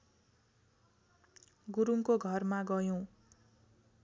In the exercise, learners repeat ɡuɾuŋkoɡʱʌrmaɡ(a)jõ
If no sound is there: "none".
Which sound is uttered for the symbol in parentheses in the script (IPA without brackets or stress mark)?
ʌ